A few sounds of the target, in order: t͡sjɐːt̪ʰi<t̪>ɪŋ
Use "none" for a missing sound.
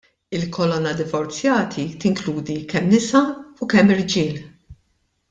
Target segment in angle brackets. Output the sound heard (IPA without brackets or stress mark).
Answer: t̪